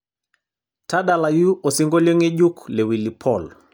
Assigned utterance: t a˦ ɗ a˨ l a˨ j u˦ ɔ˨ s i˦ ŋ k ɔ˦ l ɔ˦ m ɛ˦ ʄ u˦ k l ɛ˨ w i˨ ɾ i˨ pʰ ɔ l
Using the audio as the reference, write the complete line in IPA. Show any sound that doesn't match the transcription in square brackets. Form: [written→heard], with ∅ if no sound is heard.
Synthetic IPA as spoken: t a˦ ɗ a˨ l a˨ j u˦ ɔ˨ s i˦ ŋ [k→ɡ] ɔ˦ l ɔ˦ [m→ŋ] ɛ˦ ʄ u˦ k l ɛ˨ w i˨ [ɾ→l] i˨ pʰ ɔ l